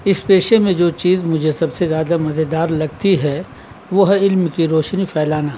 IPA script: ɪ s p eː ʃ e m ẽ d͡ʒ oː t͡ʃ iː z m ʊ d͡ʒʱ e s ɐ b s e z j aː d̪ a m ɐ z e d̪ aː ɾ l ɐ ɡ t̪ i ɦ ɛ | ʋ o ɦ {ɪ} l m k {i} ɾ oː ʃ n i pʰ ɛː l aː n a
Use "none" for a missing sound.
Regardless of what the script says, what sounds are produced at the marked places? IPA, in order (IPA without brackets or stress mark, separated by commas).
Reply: ɪ, i